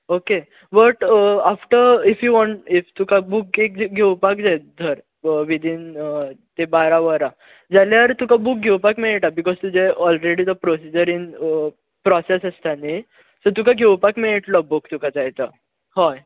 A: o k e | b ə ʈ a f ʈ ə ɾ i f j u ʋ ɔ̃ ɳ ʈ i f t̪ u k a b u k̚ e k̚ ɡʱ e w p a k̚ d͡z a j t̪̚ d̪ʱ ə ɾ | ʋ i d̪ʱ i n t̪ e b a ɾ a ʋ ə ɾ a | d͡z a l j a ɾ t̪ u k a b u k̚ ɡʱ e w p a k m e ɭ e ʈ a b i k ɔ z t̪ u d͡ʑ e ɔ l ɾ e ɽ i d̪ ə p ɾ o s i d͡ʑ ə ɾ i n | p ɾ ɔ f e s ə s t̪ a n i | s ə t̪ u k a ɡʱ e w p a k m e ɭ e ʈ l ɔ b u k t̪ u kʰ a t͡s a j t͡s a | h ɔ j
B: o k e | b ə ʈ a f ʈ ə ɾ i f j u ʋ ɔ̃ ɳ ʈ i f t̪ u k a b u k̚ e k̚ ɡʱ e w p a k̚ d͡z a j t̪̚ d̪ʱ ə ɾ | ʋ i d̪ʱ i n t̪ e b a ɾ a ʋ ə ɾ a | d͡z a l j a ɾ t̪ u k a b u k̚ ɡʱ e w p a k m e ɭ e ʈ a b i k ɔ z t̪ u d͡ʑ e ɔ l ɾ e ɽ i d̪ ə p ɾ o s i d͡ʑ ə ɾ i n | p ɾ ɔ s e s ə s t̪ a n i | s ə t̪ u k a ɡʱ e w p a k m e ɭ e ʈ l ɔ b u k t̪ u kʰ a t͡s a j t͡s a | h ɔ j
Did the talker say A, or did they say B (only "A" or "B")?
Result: B